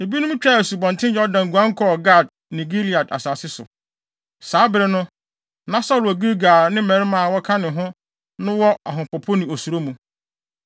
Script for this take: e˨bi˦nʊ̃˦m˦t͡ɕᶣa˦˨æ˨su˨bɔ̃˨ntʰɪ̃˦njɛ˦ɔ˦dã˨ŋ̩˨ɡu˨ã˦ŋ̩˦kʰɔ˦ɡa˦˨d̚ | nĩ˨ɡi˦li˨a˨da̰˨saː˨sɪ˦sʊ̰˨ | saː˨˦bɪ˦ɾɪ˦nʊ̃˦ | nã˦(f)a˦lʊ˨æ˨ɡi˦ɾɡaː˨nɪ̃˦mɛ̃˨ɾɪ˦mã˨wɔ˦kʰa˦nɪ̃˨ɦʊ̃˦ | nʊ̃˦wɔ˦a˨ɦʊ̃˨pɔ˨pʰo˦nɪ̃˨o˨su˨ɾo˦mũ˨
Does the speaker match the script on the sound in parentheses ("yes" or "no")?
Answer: no